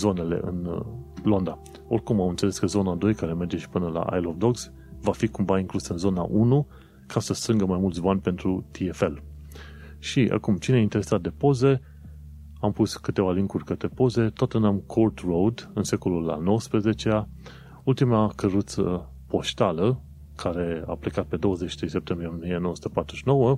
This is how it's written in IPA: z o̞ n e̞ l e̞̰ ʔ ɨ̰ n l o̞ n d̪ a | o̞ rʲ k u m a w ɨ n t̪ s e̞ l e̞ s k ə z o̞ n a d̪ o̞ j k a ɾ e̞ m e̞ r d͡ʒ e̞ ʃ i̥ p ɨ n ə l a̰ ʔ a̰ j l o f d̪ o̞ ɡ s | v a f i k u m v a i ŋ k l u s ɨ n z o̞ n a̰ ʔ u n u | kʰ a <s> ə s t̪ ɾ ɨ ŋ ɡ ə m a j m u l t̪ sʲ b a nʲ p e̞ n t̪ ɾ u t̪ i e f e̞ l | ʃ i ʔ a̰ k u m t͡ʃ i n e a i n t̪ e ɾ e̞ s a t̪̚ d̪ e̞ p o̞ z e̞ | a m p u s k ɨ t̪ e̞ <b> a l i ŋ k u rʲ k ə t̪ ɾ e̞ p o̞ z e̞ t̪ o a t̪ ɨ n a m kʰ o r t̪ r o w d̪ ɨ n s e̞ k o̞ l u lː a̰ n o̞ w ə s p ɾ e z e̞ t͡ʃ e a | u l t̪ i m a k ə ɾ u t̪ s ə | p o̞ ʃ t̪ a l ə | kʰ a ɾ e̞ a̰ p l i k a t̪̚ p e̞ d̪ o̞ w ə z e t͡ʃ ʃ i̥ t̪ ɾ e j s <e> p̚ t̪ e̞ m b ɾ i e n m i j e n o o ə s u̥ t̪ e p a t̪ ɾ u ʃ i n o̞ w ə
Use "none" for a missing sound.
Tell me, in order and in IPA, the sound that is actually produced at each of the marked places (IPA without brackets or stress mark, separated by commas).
s, v, e